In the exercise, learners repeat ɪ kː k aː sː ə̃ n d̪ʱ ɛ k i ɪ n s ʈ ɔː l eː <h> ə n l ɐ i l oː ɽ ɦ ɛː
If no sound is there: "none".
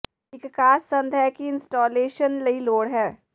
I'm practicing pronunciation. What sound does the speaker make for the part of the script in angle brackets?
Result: ʃ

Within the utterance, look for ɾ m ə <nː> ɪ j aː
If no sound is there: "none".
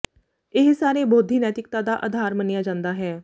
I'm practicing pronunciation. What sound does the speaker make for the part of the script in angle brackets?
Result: n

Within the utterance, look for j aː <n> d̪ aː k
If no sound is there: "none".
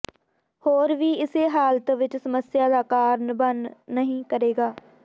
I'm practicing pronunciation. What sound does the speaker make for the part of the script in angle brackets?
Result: none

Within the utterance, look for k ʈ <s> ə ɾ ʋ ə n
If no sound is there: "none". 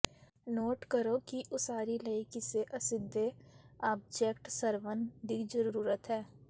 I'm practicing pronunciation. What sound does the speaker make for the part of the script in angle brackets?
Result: s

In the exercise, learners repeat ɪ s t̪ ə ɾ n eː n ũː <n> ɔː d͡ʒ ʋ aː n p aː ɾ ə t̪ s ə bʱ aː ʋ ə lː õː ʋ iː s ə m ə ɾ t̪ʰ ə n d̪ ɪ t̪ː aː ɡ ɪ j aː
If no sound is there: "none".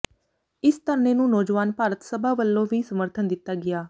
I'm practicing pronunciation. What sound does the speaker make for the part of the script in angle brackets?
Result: n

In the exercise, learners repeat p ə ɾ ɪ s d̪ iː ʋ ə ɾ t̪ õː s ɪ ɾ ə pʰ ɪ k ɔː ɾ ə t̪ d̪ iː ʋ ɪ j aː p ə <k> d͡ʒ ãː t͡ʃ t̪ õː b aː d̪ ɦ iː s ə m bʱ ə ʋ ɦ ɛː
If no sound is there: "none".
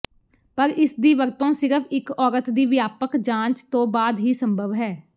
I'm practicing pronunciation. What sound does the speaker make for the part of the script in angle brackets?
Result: k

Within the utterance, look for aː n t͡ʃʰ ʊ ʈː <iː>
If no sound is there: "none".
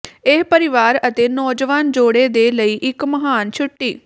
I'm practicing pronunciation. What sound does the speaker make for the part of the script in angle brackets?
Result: iː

